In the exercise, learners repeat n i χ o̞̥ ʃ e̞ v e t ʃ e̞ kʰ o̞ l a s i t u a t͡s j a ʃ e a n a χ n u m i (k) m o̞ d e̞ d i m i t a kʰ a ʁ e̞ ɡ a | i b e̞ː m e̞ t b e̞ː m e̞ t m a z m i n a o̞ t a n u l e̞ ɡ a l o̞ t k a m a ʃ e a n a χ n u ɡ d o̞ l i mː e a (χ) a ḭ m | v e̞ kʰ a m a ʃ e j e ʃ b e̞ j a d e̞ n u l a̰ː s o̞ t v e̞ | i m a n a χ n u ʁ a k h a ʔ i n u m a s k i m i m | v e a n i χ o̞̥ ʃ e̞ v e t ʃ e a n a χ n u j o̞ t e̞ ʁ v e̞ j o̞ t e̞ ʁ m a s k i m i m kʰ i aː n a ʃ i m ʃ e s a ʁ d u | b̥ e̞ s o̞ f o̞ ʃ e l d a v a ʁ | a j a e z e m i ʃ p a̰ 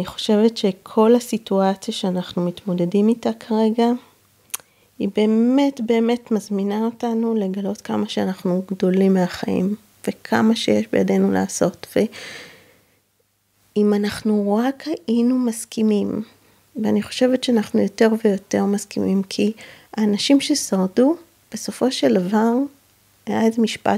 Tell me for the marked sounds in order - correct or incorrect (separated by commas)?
incorrect, correct